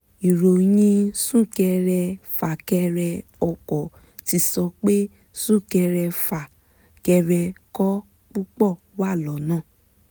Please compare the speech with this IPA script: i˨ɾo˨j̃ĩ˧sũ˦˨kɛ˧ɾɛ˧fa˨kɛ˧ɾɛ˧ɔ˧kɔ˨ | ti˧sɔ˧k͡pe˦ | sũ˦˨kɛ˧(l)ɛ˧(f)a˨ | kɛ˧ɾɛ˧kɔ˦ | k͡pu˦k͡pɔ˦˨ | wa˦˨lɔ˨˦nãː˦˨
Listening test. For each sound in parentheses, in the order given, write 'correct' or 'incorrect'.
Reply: incorrect, correct

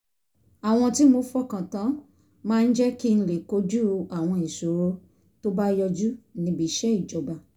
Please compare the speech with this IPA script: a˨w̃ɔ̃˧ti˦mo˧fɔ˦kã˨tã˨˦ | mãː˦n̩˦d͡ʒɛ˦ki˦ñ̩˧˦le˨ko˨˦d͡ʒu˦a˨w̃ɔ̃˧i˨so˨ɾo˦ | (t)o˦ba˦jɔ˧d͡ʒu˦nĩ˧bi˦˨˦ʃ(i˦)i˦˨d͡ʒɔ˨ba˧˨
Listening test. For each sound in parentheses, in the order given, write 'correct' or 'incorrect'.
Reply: correct, incorrect

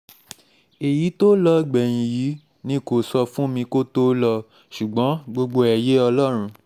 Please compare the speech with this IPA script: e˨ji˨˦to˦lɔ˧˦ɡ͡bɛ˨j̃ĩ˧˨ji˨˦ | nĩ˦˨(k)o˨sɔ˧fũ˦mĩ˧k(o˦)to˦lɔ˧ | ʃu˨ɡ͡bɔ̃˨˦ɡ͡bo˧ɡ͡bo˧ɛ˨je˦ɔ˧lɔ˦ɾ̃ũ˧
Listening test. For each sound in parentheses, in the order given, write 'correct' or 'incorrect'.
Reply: correct, correct

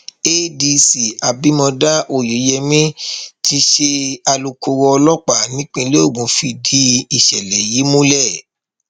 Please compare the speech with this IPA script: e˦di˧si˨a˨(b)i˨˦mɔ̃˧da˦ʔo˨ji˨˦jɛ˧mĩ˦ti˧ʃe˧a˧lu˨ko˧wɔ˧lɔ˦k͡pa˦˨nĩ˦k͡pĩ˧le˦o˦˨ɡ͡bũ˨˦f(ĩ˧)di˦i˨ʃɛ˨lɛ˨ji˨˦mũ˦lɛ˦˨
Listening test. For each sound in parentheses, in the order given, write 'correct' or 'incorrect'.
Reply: correct, incorrect

